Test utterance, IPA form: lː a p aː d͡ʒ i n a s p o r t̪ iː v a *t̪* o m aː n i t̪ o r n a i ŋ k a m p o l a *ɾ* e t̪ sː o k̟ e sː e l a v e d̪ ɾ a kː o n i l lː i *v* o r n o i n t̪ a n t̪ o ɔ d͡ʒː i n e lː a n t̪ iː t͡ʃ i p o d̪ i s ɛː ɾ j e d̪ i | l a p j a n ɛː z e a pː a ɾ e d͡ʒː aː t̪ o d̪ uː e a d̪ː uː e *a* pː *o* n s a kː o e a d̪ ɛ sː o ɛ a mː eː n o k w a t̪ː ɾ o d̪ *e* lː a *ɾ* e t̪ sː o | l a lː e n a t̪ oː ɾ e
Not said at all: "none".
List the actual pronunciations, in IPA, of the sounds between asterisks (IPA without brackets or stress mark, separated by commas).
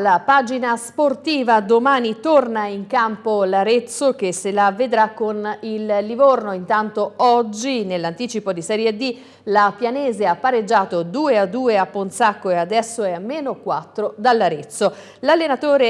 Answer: d̪, ɾ, v, a, o, a, ɾ